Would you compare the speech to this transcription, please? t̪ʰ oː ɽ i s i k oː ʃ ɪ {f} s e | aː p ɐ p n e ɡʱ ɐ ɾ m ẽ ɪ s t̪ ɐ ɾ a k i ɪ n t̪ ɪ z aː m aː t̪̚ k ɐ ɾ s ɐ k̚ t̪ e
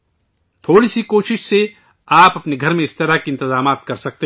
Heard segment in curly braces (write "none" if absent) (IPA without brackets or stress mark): ʃ